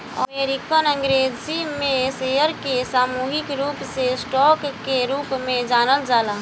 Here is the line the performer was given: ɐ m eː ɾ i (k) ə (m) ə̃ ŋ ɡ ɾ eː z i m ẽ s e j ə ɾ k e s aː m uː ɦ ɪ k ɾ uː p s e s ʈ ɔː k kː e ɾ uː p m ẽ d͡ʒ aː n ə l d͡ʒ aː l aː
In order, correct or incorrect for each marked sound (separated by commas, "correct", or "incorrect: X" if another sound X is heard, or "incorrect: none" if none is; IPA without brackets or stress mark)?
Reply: correct, incorrect: n